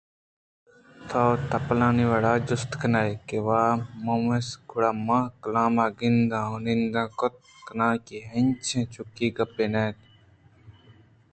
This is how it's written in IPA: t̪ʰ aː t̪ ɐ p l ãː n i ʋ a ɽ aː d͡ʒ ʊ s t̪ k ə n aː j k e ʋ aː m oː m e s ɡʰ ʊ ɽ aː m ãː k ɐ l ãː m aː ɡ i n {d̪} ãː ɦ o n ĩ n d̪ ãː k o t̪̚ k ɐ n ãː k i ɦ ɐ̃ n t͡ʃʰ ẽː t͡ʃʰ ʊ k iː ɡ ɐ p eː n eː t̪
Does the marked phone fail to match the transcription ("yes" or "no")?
no